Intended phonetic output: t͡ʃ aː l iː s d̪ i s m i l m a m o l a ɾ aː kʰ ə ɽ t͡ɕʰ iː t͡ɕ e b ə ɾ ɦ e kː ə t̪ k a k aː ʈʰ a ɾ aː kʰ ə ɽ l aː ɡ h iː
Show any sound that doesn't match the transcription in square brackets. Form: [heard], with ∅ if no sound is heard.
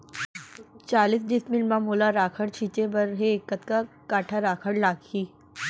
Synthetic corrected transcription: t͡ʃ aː l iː s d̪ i s m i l m a m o l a ɾ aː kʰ ə ɽ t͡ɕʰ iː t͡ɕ e b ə ɾ ɦ e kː ə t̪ k a k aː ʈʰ a ɾ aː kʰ ə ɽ l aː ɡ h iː